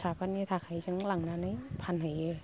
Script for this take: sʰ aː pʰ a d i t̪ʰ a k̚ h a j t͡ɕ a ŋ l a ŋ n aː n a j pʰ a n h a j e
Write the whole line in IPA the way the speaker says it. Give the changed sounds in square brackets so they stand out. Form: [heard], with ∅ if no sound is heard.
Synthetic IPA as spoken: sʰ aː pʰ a [n] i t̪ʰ a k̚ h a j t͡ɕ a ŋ l a ŋ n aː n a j pʰ a n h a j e